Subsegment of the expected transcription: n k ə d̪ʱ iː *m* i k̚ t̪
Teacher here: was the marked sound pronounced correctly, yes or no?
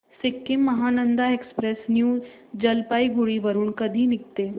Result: no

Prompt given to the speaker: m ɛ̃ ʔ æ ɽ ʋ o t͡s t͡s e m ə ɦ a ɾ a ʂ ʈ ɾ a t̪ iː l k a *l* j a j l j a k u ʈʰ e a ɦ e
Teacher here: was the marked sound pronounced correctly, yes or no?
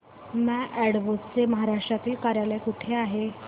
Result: no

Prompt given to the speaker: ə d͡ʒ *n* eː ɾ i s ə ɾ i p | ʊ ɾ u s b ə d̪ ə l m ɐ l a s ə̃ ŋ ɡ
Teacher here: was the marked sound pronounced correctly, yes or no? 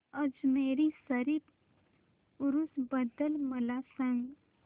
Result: no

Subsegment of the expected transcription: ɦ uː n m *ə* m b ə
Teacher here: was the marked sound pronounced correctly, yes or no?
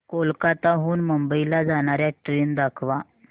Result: yes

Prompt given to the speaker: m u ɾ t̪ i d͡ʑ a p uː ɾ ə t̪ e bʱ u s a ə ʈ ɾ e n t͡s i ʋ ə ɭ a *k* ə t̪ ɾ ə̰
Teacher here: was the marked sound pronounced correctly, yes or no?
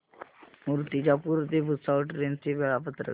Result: no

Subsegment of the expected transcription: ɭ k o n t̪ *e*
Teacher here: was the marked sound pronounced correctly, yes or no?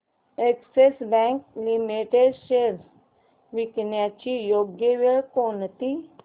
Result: no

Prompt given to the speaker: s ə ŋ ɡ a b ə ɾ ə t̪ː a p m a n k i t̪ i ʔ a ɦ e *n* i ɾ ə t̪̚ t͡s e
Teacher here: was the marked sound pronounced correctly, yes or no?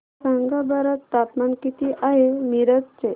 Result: no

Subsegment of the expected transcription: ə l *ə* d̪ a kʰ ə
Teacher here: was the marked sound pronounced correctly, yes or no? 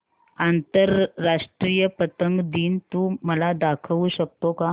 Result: no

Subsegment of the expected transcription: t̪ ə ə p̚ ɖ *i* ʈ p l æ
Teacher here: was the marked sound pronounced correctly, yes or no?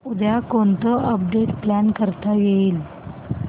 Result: no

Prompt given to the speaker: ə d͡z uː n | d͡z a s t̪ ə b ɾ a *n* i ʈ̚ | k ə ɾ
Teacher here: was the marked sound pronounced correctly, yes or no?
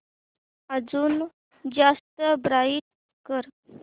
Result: no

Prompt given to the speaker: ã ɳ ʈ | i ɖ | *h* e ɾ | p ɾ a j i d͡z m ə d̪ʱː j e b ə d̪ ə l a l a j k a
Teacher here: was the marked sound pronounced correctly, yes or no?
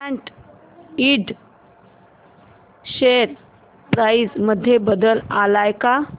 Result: no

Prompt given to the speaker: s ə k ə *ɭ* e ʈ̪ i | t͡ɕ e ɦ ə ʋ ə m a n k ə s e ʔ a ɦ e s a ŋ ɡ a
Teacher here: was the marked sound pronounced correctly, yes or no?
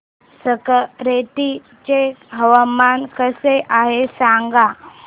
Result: no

